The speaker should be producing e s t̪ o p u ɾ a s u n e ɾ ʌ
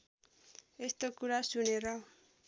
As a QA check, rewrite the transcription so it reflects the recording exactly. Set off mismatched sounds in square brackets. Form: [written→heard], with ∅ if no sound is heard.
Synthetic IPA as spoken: e s t̪ o [p→k] u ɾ a s u n e ɾ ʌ